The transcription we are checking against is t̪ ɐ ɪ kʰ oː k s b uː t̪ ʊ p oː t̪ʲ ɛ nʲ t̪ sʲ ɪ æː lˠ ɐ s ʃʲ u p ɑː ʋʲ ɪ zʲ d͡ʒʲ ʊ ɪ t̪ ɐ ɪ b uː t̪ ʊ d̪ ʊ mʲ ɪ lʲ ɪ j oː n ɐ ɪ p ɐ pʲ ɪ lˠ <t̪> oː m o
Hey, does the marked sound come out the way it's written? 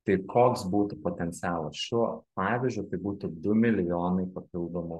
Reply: no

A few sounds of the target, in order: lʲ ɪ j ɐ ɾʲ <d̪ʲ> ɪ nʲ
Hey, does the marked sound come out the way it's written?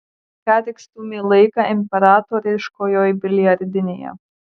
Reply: yes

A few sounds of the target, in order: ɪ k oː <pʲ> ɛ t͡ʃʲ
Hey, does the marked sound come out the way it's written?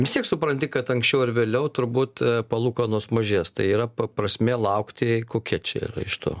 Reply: no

